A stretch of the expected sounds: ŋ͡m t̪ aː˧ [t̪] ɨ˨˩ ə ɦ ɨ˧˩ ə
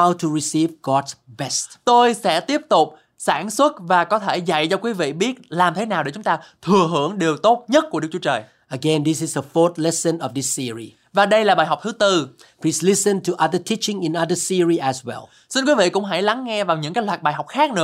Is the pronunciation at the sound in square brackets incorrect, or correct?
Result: incorrect